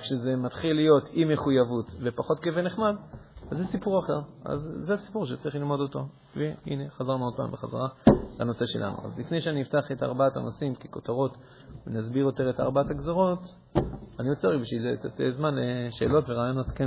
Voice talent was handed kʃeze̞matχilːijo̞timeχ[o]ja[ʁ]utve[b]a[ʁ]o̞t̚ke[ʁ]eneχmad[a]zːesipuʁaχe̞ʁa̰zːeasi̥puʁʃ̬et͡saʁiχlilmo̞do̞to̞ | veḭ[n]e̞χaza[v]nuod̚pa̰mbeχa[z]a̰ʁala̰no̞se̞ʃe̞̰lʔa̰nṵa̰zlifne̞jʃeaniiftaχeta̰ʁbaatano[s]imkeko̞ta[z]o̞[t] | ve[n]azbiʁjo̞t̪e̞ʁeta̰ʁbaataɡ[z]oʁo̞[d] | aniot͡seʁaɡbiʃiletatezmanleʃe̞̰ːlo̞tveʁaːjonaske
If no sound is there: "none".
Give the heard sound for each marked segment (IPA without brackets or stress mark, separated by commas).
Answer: u, v, p, χ, v, a, n, ʁ, z, s, ʁ, t, n, z, t